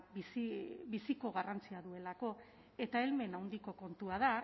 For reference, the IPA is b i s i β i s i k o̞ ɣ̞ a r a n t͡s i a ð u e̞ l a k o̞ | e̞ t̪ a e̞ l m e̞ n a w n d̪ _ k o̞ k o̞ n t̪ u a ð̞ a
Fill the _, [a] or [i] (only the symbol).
i